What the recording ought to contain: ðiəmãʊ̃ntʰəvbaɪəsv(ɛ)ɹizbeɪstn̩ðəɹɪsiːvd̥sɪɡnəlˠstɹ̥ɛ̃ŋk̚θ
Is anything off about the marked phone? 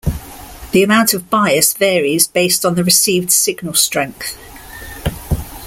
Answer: yes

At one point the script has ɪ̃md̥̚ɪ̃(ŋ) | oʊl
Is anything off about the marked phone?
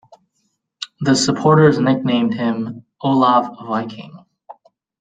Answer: yes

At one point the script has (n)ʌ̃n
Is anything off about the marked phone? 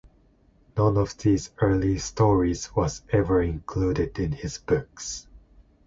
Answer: no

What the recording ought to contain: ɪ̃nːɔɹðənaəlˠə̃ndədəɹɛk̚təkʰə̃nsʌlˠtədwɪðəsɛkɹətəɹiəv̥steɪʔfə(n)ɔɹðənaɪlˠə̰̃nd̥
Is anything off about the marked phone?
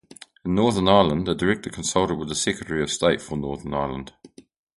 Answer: no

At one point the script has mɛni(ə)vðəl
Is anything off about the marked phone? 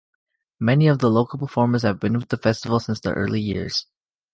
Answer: yes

